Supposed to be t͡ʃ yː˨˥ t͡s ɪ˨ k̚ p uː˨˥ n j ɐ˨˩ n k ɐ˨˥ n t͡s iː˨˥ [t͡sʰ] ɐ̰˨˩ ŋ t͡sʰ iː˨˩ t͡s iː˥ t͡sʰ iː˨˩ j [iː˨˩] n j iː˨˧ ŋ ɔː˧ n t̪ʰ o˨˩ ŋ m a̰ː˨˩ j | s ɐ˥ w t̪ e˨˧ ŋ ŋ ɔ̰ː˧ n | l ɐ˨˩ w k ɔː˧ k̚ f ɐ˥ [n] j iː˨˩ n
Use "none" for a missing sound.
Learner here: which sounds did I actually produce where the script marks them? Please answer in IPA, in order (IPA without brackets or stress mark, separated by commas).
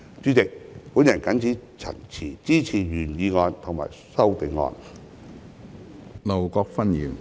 t͡sʰ, yː˨˩, n